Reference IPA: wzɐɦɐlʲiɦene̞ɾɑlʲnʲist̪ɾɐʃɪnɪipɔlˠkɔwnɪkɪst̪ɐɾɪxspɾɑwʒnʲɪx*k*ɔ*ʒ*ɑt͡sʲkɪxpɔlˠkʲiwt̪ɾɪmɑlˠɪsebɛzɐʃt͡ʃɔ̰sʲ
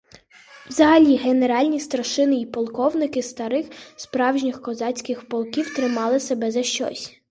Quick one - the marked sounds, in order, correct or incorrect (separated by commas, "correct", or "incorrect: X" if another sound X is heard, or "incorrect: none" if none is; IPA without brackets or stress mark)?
correct, incorrect: z